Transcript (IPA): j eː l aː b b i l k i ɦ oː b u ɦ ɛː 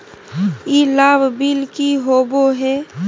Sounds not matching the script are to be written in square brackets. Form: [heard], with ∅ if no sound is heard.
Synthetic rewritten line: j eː l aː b b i l k i ɦ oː b [o] ɦ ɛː

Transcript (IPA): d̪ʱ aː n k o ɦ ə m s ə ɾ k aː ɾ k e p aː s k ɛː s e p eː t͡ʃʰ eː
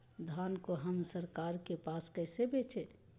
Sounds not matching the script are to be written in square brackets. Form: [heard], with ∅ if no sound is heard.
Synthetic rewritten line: d̪ʱ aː n k o ɦ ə m s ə ɾ k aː ɾ k e p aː s k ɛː s e [b] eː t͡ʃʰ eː

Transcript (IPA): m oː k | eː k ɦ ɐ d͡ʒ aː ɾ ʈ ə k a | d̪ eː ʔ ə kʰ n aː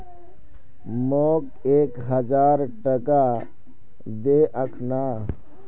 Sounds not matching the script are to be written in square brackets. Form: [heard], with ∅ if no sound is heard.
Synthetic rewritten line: m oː k | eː k ɦ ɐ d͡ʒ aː ɾ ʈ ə k a | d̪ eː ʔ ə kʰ n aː

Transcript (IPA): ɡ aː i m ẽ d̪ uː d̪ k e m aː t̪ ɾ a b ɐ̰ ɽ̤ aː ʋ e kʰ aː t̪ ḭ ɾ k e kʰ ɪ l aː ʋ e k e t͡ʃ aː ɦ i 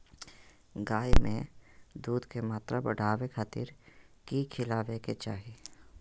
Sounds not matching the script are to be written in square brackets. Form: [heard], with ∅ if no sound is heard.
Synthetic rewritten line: ɡ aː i m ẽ d̪ uː d̪ k e m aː t̪ ɾ a b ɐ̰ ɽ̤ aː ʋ e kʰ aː t̪ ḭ ɾ k [i] kʰ ɪ l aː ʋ e k e t͡ʃ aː ɦ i

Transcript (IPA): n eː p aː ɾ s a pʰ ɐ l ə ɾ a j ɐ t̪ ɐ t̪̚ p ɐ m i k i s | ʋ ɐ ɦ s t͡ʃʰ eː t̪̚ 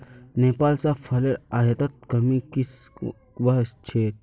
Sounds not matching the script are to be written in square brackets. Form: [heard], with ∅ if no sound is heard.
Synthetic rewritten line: n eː p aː [l] s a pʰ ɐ l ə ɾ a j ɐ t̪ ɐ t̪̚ [k] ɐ m i k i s | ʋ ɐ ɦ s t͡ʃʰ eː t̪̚

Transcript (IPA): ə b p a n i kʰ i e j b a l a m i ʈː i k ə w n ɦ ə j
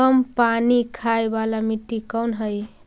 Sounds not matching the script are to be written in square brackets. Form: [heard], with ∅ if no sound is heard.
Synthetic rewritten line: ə [m] p a n i kʰ [a] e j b a l a m i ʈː i k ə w n ɦ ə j

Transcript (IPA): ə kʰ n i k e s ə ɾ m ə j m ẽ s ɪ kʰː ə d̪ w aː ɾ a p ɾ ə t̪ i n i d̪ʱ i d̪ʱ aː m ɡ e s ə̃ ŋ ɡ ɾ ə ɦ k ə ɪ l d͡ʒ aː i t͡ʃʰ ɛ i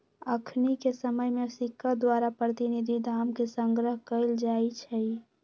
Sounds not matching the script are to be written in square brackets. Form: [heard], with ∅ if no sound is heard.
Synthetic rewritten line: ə kʰ n i k e s ə [∅] m ə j m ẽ s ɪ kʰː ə d̪ w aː ɾ a p ɾ ə t̪ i n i d̪ʱ i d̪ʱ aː m [k] e s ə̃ ŋ ɡ ɾ ə ɦ k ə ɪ l d͡ʒ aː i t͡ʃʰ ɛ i

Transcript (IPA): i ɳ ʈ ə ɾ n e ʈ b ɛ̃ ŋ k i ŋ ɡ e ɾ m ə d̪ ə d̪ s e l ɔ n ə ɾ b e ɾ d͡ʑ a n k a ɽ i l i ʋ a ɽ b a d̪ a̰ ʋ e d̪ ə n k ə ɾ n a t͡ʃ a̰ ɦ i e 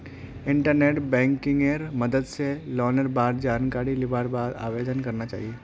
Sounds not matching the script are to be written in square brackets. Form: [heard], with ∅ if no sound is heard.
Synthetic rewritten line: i ɳ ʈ ə ɾ n e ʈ b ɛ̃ ŋ k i ŋ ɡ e ɾ m ə d̪ ə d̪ s e l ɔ n ə ɾ b [a] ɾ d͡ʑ a n k a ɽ i l i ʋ a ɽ b a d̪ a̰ ʋ e d̪ ə n k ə ɾ n a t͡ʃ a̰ ɦ i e

